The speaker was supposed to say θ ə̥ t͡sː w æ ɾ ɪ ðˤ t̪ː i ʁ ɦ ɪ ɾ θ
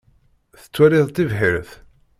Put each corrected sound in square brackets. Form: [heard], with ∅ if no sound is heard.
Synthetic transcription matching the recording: θ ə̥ t͡sː w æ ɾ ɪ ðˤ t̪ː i [v] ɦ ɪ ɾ θ